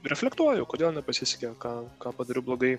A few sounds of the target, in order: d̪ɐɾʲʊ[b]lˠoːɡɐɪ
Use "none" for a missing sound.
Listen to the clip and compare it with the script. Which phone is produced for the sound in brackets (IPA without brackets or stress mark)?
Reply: b